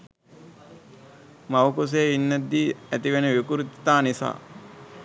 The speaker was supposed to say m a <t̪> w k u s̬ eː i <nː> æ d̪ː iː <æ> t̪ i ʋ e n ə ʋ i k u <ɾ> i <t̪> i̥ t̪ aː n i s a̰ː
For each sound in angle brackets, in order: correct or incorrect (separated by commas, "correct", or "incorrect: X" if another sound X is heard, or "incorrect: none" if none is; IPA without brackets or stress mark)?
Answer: incorrect: none, correct, correct, correct, correct